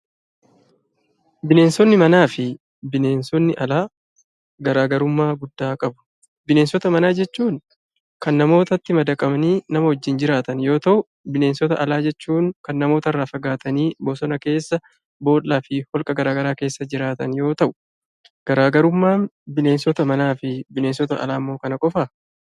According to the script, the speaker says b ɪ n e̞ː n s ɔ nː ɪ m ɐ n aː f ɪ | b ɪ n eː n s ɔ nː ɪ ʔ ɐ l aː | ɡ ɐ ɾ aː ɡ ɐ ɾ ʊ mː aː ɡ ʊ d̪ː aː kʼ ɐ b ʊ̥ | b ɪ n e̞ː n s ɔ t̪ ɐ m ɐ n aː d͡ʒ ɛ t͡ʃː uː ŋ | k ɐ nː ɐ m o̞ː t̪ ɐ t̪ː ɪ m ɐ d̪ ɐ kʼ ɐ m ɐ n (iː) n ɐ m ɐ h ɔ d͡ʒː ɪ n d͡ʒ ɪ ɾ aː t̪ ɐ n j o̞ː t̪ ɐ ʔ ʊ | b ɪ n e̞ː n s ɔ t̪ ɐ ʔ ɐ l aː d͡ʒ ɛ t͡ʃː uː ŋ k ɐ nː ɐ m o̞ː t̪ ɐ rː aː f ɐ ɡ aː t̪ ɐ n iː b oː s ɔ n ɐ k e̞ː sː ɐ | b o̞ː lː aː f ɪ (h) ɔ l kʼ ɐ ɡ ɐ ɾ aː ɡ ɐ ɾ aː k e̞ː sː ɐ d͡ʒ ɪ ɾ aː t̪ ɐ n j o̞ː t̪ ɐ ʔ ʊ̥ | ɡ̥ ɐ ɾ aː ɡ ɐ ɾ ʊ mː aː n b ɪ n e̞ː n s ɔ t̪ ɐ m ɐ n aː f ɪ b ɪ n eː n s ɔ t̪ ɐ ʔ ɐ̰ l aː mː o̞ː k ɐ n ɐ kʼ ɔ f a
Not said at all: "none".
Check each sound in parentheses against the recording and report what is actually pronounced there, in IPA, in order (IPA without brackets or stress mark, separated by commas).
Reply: iː, h